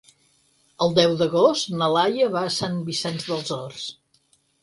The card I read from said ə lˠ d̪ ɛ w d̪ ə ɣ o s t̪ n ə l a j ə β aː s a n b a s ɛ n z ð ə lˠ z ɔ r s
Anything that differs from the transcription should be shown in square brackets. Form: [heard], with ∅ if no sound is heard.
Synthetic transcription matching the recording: ə lˠ d̪ ɛ w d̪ ə ɣ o s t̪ n ə l a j ə β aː s a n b [i] s ɛ n z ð ə lˠ z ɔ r s